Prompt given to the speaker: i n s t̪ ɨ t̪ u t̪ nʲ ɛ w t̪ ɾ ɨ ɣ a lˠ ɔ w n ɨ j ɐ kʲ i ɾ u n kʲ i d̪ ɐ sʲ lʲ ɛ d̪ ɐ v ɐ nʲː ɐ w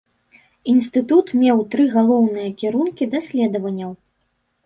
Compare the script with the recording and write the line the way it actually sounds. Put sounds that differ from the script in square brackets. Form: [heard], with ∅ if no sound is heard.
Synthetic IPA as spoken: i n s t̪ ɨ t̪ u t̪ [mʲ] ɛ w t̪ ɾ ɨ ɣ a lˠ ɔ w n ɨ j ɐ kʲ i ɾ u n kʲ i d̪ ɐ sʲ lʲ ɛ d̪ ɐ v ɐ nʲː ɐ w